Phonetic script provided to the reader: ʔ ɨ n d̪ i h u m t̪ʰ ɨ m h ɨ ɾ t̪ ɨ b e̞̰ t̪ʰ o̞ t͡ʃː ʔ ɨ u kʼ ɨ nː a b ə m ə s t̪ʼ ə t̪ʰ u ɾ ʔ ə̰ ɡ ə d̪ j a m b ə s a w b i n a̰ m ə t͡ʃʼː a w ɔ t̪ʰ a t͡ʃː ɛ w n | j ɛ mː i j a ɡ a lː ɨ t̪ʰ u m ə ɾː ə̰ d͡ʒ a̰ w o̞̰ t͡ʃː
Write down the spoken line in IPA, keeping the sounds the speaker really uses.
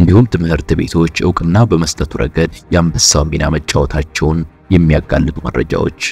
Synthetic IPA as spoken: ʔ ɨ n d̪ i h u m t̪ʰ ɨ m h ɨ ɾ t̪ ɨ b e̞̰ t̪ʰ o̞ t͡ʃː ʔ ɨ w kʼ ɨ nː a b ə m ə s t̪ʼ ə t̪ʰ u ɾ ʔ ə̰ ɡ ə d̪ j a m b ə s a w m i n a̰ m ə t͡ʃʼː a w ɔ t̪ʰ a t͡ʃː ɛ w n | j ɛ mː i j a ɡ a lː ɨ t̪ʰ u m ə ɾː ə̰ d͡ʒ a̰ w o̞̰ t͡ʃː